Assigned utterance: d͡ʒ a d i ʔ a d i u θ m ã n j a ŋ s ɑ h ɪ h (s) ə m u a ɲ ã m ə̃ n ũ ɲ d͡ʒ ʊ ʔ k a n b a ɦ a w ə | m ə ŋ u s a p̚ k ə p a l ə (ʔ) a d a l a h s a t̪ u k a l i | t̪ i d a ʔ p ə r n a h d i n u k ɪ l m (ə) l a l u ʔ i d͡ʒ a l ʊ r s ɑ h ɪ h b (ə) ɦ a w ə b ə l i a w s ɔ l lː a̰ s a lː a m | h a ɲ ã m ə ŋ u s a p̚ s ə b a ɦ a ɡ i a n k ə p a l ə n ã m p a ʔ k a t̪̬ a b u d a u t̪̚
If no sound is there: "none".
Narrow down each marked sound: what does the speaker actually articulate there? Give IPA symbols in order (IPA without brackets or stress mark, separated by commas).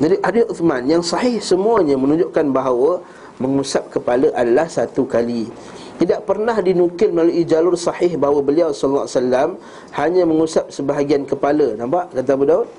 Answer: s, ʔ, ə, a